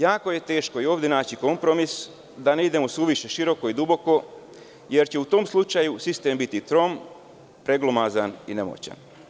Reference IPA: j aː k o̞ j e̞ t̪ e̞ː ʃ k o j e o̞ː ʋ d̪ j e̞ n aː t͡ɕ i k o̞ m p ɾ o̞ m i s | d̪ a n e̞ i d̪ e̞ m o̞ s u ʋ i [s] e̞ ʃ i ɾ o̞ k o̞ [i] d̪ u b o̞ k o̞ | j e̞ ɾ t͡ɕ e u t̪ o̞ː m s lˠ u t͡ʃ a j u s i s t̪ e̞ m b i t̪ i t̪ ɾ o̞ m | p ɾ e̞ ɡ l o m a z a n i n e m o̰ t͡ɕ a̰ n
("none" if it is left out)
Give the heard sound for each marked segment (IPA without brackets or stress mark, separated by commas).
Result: ʃ, i